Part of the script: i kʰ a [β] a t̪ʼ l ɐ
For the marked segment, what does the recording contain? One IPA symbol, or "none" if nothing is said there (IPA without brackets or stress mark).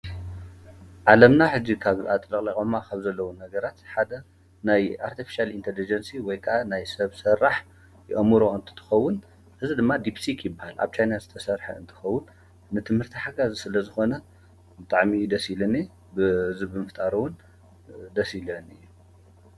β